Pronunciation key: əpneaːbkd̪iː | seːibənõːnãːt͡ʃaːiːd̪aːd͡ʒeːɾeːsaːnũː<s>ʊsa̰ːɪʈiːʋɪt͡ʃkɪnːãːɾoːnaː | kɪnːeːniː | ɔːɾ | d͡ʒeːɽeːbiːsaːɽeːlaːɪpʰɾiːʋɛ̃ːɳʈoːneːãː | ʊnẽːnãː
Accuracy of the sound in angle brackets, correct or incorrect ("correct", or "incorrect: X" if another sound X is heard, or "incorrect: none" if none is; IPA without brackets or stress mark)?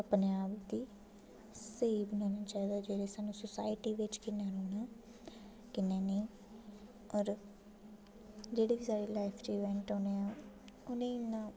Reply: correct